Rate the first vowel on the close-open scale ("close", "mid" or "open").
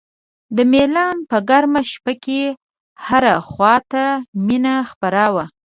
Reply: mid